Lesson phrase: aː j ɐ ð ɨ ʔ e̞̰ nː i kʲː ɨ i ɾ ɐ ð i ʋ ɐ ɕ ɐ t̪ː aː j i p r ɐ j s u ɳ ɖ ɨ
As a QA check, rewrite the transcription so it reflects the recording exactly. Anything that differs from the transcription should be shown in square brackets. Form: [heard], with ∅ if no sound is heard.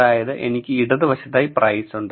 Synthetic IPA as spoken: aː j ɐ ð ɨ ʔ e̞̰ [n] i kʲː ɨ i [ɽ] ɐ ð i ʋ ɐ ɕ ɐ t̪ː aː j i p r ɐ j s u ɳ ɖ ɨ